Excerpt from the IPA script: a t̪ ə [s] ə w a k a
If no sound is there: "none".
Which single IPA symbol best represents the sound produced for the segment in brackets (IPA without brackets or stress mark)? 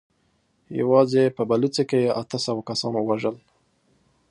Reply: s